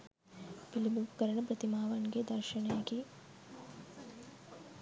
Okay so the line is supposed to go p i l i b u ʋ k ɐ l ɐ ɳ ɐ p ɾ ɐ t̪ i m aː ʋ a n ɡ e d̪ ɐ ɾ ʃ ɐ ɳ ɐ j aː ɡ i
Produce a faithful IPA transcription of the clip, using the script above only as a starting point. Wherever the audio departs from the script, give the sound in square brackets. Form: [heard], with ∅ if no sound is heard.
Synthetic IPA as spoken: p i l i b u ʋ k ɐ [ɾ] ɐ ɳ ɐ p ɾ ɐ t̪ i m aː ʋ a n ɡ e d̪ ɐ ɾ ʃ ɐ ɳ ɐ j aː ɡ i

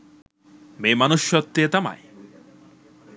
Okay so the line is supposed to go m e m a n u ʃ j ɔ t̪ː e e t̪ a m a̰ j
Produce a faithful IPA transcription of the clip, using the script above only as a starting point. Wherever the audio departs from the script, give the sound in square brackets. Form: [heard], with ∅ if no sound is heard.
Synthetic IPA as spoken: m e m a n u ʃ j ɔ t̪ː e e t̪ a m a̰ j

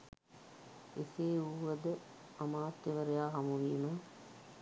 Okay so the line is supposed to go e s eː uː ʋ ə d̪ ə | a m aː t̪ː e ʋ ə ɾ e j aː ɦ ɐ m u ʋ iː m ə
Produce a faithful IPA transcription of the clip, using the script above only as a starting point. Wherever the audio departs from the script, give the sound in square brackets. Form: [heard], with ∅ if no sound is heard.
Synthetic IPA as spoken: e s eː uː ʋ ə d̪ ə | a m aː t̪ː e ʋ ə ɾ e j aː ɦ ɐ m u ʋ iː m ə

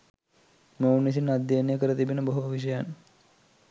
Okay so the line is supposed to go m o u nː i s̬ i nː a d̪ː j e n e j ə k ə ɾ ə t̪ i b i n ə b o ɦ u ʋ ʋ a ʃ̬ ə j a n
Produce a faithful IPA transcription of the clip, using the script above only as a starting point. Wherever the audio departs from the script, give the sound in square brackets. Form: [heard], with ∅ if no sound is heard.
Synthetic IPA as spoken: m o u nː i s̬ i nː a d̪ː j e n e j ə k ə ɾ ə t̪ i b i n ə b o ɦ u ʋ ʋ [i] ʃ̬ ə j a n

